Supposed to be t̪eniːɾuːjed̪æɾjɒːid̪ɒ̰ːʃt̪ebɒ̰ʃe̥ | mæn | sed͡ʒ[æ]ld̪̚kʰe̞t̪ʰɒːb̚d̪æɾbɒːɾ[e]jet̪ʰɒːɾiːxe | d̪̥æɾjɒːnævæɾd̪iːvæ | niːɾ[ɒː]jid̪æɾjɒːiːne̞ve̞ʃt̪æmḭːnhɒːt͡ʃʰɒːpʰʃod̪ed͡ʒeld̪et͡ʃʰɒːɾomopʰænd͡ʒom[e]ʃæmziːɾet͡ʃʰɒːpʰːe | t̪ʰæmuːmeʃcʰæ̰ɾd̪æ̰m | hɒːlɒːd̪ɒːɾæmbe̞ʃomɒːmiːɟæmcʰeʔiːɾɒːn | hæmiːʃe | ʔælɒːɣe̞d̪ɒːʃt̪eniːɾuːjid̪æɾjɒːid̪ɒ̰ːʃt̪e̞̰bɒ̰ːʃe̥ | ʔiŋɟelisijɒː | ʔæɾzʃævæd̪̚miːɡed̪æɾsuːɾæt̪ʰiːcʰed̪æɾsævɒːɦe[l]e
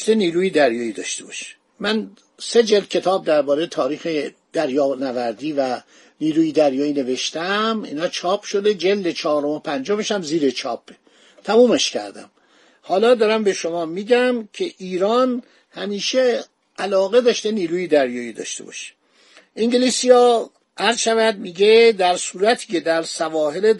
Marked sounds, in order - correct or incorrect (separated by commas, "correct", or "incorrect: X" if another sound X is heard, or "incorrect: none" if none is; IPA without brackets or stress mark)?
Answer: incorrect: e, correct, incorrect: uː, correct, correct